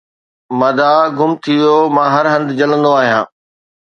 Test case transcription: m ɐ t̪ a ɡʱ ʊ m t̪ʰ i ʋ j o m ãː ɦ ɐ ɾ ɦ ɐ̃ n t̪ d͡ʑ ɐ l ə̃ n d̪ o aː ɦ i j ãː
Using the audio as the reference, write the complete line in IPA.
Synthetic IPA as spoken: m ɐ d̪ a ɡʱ ʊ m t̪ʰ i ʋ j o m ãː ɦ ɐ ɾ ɦ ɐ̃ n d̪ d͡ʑ ɐ l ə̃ n d̪ o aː ɦ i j ãː

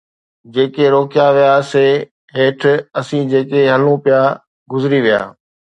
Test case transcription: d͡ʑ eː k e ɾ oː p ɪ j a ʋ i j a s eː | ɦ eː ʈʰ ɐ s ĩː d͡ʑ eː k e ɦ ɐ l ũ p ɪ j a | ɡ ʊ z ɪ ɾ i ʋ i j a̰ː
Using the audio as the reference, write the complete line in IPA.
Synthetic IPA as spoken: d͡ʑ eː k e ɾ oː k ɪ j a ʋ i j a s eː | ɦ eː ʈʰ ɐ s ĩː d͡ʑ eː k e ɦ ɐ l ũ p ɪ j a | ɡ ʊ z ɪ ɾ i ʋ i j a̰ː

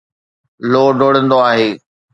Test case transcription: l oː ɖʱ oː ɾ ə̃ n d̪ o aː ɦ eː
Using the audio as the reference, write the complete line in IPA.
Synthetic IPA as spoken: l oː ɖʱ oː ɽ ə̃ n d̪ o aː ɦ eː

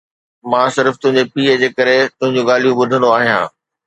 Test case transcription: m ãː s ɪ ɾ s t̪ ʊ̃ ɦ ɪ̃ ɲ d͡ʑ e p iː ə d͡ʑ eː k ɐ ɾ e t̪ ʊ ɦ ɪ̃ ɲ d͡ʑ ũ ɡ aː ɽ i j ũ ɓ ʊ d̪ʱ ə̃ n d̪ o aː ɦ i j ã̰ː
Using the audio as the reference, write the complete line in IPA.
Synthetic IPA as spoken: m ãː s ɪ ɾ f t̪ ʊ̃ ɦ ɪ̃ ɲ d͡ʑ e p iː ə d͡ʑ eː k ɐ ɾ e t̪ ʊ ɦ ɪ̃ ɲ d͡ʑ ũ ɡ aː l i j ũ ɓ ʊ d̪ʱ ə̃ n d̪ o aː ɦ i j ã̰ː

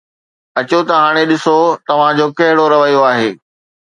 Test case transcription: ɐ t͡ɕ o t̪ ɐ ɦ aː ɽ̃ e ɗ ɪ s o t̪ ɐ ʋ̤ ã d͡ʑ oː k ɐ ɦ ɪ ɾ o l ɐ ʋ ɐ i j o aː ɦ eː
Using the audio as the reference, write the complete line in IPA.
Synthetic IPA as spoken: ɐ t͡ɕ o t̪ ɐ ɦ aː ɽ̃ e ɗ ɪ s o t̪ ɐ ʋ̤ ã d͡ʑ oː k ɐ ɦ ɪ ɽ o ɾ ɐ ʋ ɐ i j o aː ɦ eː

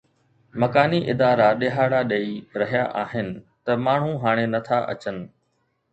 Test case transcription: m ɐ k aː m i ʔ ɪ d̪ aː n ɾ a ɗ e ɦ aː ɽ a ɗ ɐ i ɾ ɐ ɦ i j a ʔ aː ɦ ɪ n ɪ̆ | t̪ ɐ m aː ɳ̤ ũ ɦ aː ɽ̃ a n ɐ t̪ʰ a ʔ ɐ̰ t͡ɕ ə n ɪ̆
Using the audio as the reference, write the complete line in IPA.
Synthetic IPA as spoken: m ɐ k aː n i ʔ ɪ d̪ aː ɾ a ɗ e ɦ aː ɽ a ɗ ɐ i ɾ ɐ ɦ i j a ʔ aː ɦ ɪ n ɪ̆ | t̪ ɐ m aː ɳ̤ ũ ɦ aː ɽ̃ e n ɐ t̪ʰ a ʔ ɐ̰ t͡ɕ ə n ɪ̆

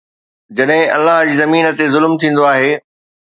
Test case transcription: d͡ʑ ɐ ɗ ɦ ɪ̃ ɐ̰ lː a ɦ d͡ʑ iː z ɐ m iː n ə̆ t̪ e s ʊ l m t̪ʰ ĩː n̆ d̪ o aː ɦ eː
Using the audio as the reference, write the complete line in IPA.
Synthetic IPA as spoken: d͡ʑ ɐ ɗ ɦ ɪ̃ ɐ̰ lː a ɦ d͡ʑ iː z ɐ m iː n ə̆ t̪ e z ʊ l m t̪ʰ ĩː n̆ d̪ o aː ɦ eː

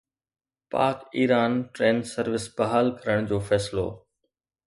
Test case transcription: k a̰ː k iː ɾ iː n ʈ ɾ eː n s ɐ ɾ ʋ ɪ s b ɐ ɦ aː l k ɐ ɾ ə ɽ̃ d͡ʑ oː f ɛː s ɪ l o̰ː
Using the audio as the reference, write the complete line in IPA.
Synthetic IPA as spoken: p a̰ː k iː ɾ aː n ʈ ɾ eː n s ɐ ɾ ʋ ɪ s b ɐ ɦ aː l k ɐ ɾ ə ɽ̃ d͡ʑ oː f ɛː s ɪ l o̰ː

